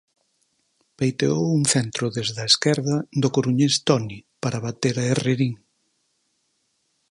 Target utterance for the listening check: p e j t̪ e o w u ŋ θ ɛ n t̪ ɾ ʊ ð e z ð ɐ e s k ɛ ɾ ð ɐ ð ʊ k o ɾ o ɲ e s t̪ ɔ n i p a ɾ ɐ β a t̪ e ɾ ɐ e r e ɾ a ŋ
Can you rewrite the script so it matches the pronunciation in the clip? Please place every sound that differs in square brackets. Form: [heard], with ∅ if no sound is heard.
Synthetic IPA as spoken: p e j t̪ e o w u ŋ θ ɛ n t̪ ɾ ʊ ð e z ð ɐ e s k ɛ ɾ ð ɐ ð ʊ k o ɾ [u] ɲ e s t̪ ɔ n i p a ɾ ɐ β a t̪ e ɾ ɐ e r e ɾ [i] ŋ